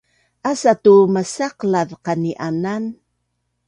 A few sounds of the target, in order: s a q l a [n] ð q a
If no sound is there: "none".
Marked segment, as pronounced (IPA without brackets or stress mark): none